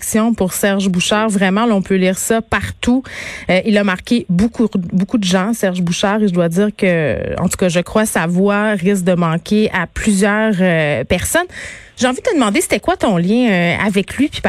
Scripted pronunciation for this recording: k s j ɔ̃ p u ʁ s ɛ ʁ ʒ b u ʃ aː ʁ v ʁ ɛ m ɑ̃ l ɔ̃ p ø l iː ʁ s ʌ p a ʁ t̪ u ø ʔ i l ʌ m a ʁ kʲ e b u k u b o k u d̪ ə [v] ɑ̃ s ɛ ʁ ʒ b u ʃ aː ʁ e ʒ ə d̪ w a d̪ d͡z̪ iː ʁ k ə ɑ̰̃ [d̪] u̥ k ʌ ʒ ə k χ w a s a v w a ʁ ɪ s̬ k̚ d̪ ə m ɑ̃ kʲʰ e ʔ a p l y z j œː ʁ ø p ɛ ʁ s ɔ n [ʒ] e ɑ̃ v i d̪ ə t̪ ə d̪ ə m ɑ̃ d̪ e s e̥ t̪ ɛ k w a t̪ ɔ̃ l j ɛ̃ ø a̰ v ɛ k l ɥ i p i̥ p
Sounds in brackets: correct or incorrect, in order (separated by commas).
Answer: incorrect, incorrect, correct